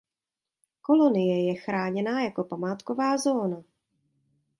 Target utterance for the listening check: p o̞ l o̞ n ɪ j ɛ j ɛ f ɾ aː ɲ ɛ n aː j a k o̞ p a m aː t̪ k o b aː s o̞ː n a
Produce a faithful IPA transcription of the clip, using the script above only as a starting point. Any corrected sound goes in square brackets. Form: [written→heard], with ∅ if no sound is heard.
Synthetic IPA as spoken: [p→k] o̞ l o̞ n ɪ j ɛ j ɛ [f→x] ɾ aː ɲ ɛ n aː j a k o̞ p a m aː t̪ k o [b→v] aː [s→z] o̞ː n a